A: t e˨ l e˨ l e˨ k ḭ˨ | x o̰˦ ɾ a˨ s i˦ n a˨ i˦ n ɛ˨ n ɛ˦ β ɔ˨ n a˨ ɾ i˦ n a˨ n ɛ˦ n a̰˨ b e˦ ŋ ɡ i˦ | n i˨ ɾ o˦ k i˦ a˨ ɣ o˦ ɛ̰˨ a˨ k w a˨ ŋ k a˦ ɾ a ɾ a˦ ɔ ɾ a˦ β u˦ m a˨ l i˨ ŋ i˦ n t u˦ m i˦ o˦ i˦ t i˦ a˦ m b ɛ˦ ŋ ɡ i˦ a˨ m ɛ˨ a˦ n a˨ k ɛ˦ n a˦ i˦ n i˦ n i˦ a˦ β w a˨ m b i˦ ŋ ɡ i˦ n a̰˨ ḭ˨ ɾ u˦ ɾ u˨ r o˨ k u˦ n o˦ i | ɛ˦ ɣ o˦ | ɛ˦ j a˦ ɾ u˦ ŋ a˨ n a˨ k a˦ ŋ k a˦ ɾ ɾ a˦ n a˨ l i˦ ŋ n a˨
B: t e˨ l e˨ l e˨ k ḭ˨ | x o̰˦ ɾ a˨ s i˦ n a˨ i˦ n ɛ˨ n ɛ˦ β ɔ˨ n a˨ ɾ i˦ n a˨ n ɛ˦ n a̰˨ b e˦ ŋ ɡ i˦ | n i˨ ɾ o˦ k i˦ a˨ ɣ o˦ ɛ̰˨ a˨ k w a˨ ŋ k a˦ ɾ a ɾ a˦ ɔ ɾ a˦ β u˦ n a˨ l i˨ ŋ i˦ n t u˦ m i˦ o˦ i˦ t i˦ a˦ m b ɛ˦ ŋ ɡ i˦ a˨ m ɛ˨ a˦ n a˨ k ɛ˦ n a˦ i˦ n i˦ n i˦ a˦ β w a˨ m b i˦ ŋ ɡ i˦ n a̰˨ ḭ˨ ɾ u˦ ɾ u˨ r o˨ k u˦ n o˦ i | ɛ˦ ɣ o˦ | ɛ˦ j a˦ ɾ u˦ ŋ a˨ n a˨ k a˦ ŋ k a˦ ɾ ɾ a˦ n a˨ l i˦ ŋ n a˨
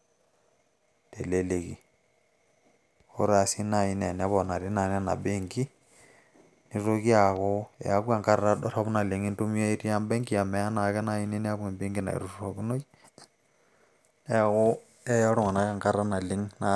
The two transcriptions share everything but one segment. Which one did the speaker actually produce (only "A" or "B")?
B